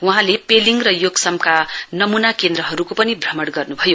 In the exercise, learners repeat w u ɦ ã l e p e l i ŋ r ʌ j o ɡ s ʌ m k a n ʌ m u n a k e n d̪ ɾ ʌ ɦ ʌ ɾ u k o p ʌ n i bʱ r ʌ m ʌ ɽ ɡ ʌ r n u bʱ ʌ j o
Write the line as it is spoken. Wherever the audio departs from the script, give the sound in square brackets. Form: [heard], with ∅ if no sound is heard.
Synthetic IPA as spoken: w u ɦ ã l e p e l i ŋ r ʌ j o ɡ s ʌ m k a n ʌ m u n a k e n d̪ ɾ ʌ ɦ ʌ ɾ u k o p ʌ n i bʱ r ʌ m ʌ ɽ ɡ ʌ r n u bʱ ʌ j o